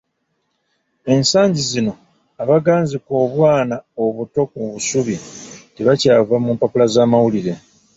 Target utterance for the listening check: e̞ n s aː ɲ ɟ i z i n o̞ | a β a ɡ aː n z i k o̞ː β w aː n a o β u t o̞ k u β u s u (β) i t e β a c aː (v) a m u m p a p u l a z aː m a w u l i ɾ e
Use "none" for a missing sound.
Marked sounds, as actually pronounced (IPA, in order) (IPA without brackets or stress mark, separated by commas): β, v